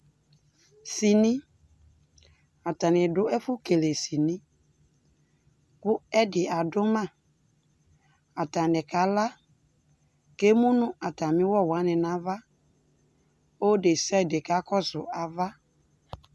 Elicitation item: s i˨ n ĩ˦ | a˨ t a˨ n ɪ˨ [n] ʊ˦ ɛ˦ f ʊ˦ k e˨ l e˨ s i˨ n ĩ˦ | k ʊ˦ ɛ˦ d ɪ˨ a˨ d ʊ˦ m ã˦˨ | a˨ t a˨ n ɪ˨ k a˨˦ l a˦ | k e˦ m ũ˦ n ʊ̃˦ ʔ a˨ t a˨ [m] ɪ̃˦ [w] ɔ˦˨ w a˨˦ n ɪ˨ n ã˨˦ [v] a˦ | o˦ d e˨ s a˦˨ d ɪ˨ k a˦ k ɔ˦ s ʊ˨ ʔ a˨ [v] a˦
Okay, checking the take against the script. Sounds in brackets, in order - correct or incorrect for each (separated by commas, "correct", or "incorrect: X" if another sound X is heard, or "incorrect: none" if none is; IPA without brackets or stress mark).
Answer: incorrect: d, correct, correct, correct, correct